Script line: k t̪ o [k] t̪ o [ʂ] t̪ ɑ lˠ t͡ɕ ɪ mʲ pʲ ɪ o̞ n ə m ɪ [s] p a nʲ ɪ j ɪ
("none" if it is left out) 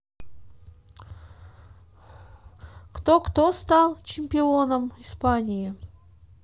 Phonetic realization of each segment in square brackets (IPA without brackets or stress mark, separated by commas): k, s, s